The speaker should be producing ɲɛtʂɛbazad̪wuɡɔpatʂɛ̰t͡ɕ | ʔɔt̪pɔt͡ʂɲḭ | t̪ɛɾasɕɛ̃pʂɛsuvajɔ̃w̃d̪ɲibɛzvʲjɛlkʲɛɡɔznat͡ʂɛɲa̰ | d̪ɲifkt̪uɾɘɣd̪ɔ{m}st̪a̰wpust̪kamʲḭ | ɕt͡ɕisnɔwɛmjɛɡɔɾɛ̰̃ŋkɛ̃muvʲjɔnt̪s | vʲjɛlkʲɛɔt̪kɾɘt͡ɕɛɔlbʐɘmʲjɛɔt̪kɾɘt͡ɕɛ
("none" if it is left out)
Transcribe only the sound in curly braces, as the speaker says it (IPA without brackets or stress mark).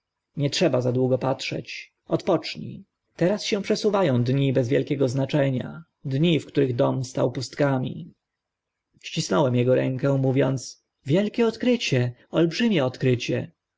m